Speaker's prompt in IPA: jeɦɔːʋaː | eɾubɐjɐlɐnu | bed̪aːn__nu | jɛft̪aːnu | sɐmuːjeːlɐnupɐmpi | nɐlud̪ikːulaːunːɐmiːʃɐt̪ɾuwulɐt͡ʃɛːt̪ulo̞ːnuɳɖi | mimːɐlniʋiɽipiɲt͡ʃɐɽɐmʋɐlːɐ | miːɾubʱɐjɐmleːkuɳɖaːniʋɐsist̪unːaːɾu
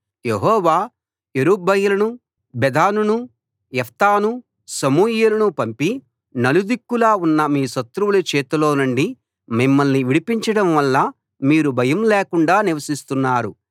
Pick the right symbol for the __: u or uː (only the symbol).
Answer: u